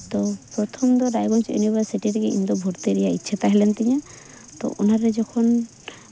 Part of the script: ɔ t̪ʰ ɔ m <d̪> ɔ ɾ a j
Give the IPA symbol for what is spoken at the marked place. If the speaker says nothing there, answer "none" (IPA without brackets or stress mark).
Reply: d̪